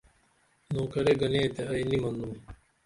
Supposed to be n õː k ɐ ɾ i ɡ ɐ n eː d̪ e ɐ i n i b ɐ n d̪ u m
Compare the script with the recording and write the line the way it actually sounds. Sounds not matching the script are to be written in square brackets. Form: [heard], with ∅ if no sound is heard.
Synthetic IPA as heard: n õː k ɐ ɾ [e] ɡ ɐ n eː [t̪] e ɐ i n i [m] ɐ n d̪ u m

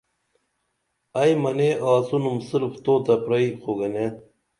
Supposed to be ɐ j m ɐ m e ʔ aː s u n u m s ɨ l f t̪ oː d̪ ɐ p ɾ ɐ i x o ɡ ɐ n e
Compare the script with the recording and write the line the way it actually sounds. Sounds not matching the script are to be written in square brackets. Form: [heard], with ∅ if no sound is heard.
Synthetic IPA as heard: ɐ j m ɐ [n] e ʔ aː s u n u m s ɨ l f t̪ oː [t̪] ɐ p ɾ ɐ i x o ɡ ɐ n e

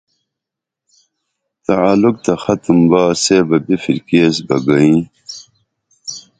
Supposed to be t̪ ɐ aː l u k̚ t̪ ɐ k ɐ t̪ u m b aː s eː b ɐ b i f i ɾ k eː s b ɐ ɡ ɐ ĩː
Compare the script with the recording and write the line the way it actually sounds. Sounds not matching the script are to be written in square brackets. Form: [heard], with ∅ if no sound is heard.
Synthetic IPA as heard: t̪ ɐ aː l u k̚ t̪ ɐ [x] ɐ t̪ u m b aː s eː b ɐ b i f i ɾ k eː s b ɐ ɡ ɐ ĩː

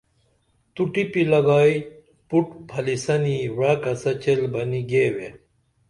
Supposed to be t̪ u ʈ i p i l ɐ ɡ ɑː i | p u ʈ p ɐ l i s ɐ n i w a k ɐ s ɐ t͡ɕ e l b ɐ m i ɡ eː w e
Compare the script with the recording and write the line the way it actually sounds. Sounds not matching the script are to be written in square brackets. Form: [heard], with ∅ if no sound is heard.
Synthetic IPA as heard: t̪ u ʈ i p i l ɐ ɡ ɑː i | p u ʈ [pʰ] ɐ l i s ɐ n i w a k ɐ s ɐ t͡ɕ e l b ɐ [n] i ɡ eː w e

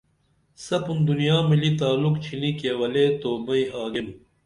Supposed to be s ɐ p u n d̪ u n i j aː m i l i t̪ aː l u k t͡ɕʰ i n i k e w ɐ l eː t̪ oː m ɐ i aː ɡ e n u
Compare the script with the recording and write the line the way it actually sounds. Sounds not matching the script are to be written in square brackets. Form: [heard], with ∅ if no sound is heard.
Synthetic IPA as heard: s ɐ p u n d̪ u n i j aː m i l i t̪ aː l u k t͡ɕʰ i n i k e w ɐ l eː t̪ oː m ɐ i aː ɡ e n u

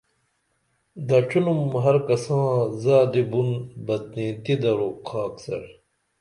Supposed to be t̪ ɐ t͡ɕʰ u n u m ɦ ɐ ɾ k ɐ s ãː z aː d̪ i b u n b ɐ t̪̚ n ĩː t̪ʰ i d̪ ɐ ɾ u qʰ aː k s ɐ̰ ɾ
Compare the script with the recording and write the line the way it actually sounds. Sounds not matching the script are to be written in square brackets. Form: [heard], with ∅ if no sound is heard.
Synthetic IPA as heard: [d̪] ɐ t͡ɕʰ u n u m ɦ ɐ ɾ k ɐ s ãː z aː d̪ i b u n b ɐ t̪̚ n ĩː [t̪] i d̪ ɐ ɾ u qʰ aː k s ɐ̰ ɾ

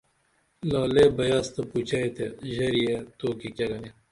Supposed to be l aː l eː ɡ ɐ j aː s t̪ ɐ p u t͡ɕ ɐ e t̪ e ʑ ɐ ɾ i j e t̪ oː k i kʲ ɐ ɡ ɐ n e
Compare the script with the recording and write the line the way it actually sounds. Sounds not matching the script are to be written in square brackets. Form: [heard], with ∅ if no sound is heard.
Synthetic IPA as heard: l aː l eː [b] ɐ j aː s t̪ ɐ p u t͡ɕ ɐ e t̪ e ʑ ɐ ɾ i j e t̪ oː k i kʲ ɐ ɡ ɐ n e

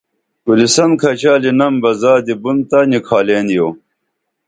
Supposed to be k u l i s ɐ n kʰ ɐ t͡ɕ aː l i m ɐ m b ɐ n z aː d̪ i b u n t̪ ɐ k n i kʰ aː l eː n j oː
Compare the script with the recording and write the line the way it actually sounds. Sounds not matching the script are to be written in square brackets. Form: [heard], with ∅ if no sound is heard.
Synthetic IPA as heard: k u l i s ɐ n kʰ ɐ t͡ɕ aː l i [n] ɐ m b ɐ [∅] z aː d̪ i b u n t̪ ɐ [∅] n i kʰ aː l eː n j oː

